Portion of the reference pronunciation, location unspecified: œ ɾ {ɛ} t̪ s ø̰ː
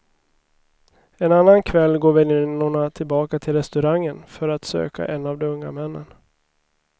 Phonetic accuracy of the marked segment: incorrect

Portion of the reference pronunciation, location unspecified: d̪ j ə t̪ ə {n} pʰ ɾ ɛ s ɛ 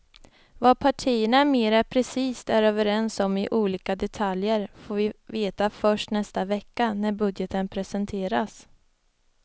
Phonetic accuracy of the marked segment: correct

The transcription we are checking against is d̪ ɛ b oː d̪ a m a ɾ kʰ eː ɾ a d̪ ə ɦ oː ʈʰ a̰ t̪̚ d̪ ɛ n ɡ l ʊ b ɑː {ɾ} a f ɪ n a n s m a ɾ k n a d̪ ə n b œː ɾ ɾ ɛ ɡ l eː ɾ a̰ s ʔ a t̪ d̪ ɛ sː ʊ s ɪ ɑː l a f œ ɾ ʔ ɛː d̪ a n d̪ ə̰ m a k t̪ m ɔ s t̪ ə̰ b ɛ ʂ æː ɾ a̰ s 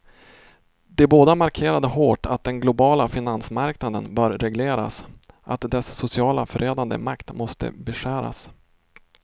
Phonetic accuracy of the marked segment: incorrect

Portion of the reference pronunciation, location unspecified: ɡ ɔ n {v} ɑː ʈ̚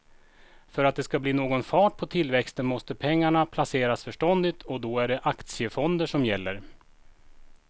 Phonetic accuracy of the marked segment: incorrect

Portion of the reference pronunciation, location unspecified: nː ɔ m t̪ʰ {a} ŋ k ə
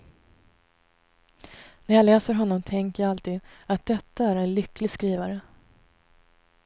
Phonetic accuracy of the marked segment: incorrect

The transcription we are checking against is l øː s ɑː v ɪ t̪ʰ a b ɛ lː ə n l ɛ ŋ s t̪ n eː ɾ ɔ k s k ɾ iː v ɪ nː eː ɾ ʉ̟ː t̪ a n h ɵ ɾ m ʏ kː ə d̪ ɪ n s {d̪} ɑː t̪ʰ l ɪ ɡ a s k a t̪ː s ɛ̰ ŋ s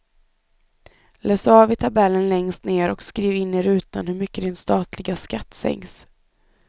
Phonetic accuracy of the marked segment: incorrect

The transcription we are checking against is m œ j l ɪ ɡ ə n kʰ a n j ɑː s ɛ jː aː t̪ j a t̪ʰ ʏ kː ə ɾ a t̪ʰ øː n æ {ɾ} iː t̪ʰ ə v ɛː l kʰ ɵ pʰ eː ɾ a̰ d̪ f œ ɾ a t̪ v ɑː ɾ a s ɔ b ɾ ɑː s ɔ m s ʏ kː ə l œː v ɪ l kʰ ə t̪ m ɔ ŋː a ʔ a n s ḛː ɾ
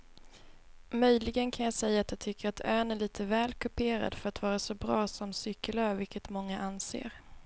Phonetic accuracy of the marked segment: incorrect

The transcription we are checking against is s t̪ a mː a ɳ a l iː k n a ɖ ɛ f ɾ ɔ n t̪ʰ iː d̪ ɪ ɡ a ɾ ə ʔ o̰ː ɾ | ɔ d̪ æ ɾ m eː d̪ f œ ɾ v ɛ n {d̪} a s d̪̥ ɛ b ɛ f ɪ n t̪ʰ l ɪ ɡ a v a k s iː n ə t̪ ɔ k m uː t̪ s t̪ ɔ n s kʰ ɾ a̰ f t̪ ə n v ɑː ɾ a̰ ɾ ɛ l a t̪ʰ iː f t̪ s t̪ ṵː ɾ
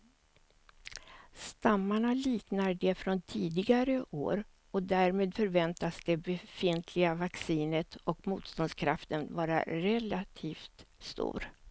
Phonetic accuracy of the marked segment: incorrect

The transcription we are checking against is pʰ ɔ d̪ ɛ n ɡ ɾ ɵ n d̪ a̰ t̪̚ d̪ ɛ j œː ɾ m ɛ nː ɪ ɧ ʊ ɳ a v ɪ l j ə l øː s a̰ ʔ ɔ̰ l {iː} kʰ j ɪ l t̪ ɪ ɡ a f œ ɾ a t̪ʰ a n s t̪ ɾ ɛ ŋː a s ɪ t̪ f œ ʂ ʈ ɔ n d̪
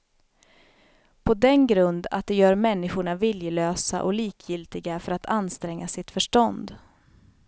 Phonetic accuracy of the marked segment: correct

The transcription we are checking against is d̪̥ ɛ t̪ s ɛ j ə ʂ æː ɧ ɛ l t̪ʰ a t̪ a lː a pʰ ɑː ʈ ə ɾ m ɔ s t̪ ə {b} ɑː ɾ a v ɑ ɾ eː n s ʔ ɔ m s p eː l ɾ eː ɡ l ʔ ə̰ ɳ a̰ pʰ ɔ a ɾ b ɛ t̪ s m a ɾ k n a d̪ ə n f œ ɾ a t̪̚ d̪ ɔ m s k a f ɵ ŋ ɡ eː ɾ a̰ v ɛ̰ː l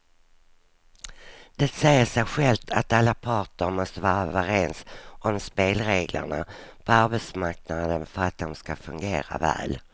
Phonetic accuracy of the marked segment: incorrect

